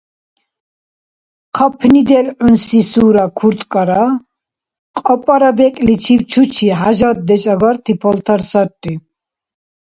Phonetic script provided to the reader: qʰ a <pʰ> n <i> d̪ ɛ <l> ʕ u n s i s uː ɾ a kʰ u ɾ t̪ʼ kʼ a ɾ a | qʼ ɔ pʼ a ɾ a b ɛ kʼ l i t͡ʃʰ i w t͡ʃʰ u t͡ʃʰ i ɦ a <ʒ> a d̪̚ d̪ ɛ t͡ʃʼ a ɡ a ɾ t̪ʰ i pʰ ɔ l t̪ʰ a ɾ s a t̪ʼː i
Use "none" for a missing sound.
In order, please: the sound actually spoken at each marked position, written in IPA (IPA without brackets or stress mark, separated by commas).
pʰ, i, l, ʒ